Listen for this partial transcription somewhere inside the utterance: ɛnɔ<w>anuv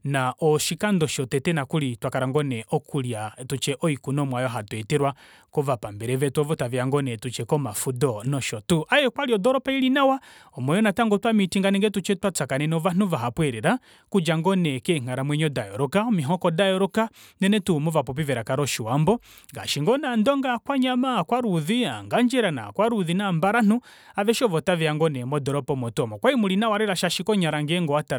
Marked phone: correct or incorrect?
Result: incorrect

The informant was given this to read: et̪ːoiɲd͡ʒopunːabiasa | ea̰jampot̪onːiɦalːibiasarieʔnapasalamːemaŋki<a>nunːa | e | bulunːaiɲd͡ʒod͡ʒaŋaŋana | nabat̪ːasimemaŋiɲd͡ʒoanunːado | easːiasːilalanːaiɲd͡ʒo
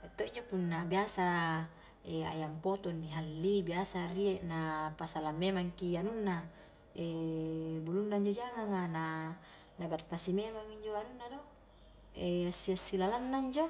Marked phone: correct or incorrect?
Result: correct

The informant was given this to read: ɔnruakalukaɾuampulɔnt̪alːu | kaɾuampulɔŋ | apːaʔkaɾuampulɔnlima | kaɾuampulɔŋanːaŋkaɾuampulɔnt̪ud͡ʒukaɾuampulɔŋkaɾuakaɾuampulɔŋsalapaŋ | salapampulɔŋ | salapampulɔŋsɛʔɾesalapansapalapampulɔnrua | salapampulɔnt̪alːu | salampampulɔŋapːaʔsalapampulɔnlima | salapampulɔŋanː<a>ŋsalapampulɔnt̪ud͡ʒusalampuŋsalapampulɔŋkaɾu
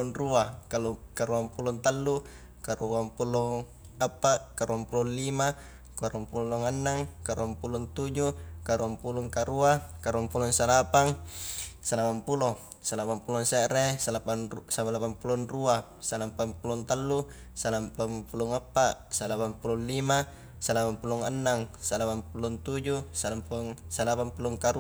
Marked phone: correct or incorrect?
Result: correct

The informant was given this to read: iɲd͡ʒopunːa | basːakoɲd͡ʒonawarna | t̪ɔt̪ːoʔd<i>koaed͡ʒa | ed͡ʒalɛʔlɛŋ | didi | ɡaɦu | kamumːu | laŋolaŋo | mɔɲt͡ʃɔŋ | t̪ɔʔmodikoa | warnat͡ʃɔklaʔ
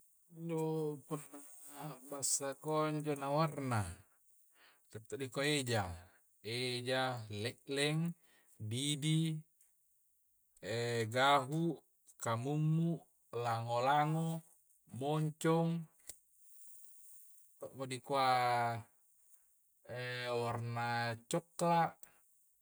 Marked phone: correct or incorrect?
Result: correct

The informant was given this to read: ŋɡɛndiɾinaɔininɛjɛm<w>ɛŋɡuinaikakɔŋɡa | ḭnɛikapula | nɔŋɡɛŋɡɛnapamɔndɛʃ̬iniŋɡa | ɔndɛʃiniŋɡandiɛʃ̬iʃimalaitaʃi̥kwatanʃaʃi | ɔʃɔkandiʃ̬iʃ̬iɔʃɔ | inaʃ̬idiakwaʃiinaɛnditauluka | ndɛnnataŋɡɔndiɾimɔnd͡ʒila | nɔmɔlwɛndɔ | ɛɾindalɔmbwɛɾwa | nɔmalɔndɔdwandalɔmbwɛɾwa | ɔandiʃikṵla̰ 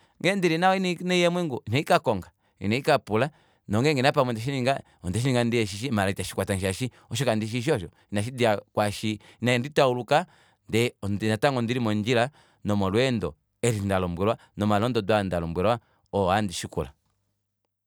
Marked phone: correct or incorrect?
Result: correct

